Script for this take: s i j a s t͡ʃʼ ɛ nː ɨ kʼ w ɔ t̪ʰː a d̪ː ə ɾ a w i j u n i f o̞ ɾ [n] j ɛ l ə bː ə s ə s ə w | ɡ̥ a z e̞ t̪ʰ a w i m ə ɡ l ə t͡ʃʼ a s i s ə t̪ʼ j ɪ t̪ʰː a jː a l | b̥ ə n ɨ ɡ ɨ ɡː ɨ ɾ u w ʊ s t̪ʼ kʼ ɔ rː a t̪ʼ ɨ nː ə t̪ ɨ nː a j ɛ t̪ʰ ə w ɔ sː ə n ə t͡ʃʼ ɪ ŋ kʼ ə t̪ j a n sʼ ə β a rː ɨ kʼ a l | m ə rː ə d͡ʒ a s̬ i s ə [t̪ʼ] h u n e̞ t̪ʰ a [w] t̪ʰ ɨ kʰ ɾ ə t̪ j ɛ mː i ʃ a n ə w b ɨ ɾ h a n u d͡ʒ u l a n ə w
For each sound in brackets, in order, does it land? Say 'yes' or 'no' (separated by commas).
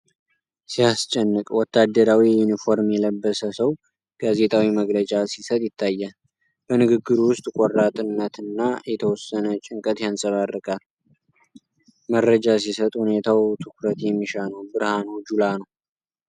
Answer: no, yes, yes